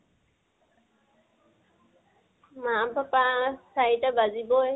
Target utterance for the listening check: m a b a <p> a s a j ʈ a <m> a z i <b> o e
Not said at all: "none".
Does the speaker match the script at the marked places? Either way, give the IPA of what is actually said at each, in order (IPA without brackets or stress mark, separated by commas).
p, b, b